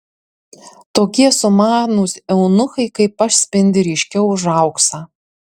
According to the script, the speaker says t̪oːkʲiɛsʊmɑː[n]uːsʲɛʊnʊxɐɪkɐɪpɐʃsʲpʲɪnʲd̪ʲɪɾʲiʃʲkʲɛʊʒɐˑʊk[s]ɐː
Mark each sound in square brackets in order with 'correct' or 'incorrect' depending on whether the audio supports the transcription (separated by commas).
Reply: correct, correct